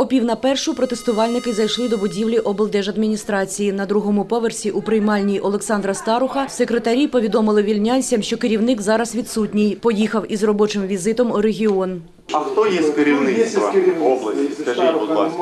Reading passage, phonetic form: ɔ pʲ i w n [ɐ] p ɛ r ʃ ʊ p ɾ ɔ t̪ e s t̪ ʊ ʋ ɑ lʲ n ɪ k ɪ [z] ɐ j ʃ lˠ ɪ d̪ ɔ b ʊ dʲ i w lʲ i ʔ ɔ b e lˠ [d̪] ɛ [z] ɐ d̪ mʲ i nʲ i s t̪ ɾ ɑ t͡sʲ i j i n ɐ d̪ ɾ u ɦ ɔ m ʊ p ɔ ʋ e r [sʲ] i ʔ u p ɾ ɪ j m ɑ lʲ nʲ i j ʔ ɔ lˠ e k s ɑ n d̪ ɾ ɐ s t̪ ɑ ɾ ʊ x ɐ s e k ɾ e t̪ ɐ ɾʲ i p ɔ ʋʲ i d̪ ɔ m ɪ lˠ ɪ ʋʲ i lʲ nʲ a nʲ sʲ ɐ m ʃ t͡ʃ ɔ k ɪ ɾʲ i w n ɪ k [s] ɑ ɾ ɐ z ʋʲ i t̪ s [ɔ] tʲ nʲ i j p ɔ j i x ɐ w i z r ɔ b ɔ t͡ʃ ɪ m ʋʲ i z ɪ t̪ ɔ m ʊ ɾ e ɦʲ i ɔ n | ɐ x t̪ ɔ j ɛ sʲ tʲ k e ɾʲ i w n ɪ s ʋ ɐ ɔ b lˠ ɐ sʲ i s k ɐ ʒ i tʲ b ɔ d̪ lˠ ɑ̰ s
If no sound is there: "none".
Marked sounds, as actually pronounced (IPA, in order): ɐ, z, d̪, ʒ, sʲ, z, u

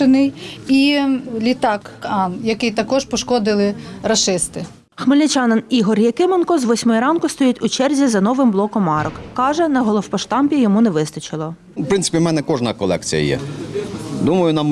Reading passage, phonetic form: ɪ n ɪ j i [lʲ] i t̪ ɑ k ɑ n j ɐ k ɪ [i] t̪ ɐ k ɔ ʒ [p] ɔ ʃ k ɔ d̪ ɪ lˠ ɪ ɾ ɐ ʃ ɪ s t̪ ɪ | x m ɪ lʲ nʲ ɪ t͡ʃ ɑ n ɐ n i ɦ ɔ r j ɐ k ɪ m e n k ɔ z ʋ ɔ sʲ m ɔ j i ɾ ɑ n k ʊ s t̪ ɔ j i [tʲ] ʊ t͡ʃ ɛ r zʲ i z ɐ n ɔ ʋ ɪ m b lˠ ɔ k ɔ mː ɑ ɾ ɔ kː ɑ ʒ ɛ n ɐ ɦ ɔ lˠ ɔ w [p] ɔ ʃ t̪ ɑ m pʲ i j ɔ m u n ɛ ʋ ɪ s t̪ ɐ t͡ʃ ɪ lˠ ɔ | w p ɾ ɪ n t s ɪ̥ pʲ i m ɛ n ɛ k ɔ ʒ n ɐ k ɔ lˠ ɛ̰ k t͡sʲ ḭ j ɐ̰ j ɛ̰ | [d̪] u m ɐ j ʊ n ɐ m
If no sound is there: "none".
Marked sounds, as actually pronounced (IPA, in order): lʲ, j, p, tʲ, p, d̪

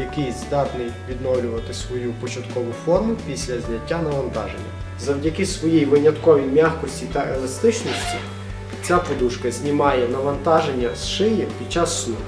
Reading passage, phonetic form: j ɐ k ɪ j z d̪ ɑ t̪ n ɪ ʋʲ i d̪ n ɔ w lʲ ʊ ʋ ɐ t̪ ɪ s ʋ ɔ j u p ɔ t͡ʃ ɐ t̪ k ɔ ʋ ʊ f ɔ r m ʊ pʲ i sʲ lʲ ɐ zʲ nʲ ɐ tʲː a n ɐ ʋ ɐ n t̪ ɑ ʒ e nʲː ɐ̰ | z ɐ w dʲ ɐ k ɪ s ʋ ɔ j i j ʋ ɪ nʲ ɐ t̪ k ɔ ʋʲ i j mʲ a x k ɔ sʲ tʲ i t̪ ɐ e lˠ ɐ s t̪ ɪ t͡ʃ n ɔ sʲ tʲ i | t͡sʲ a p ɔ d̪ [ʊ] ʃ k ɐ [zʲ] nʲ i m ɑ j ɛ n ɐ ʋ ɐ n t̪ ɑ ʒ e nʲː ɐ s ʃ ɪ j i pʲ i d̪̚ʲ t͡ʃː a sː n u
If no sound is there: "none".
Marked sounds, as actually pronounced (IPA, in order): u, zʲ

